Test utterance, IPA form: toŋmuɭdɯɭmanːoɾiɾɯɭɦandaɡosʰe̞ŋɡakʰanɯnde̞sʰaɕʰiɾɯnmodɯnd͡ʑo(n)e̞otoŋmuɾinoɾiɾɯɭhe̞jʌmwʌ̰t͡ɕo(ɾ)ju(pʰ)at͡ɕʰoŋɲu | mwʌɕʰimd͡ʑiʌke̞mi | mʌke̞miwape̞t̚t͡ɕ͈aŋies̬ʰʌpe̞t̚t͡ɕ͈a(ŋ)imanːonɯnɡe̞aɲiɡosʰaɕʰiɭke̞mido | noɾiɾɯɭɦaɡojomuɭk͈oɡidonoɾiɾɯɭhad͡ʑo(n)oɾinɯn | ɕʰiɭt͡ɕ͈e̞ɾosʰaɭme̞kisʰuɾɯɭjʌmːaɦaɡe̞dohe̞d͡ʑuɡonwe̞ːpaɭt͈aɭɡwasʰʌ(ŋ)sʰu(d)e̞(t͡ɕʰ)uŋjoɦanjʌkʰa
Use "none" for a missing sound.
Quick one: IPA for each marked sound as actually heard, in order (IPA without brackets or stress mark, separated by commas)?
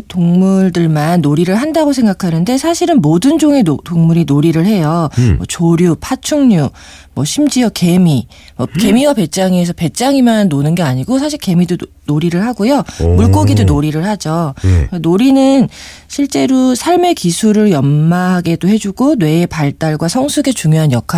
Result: ŋ, ɾ, pʰ, ŋ, n, ŋ, ɡ, t͡ɕ